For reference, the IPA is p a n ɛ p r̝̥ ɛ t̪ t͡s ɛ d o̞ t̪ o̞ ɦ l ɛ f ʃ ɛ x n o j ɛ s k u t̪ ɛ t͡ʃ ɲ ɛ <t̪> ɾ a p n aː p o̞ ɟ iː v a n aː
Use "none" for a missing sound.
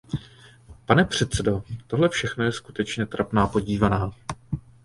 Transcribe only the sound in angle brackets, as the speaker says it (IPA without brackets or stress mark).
t̪